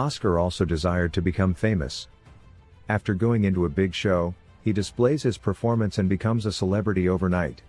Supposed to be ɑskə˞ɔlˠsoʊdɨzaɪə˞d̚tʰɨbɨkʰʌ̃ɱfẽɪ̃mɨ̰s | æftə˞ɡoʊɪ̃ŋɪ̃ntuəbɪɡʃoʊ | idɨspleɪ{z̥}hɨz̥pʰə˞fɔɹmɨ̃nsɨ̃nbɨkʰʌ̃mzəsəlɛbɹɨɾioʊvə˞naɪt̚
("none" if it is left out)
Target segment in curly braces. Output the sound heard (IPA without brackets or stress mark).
z̥